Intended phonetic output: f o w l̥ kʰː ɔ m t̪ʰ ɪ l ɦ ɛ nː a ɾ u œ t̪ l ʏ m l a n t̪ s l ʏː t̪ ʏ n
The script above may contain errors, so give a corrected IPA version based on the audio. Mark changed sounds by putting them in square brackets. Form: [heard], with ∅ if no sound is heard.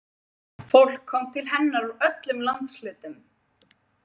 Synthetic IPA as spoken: f o w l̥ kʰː ɔ m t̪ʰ ɪ l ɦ ɛ nː a ɾ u œ t̪ l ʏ m l a n t̪ s l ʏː t̪ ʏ [m]